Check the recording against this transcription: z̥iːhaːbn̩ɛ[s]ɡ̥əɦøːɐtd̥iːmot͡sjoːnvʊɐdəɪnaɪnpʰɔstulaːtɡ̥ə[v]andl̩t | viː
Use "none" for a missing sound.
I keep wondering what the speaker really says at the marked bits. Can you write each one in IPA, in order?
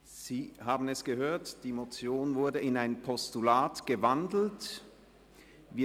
s, v

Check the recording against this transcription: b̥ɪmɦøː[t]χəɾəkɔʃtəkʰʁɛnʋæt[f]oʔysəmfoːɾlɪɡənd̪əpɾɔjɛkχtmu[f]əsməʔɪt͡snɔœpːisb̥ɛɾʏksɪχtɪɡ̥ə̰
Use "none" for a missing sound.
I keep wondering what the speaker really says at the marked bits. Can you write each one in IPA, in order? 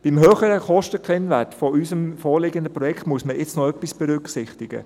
none, f, none

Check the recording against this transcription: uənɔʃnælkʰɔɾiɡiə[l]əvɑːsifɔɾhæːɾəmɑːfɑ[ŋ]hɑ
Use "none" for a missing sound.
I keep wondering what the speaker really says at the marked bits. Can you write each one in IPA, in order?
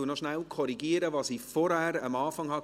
ɾ, ŋ

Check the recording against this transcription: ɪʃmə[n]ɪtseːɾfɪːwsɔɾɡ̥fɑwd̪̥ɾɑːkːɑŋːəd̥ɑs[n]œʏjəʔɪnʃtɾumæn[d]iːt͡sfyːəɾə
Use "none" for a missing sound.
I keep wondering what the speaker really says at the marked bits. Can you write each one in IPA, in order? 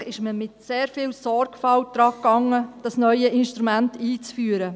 m, n, t

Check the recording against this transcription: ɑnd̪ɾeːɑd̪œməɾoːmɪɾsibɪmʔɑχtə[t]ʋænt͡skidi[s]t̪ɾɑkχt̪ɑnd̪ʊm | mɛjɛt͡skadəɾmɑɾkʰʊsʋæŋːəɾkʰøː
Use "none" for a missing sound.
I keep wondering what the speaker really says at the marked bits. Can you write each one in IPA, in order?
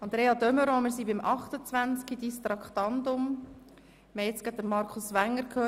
t͡s, s

